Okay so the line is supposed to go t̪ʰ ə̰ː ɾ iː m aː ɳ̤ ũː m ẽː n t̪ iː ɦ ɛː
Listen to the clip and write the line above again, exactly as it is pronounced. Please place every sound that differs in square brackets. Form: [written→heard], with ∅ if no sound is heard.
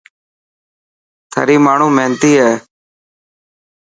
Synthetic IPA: t̪ʰ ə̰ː ɾ iː m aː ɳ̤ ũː m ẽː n t̪ iː ɦ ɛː